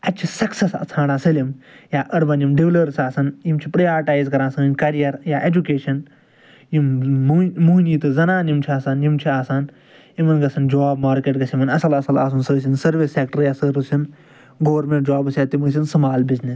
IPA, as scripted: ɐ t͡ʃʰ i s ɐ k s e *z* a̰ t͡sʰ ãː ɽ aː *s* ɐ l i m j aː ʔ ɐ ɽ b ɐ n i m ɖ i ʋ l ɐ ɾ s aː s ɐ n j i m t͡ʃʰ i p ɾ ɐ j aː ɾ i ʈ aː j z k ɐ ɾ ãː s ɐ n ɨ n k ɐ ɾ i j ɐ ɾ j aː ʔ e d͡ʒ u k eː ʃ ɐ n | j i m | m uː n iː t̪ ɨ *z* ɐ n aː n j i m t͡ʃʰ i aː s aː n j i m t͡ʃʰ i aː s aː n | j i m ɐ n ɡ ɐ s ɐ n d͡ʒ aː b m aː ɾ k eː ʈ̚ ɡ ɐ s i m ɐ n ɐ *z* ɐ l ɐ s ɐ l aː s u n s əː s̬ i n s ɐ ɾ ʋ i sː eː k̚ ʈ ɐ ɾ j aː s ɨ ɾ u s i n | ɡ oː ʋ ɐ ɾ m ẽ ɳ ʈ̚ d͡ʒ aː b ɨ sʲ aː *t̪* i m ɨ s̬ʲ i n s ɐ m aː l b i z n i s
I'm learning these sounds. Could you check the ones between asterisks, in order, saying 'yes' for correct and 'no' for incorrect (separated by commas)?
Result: no, yes, yes, no, yes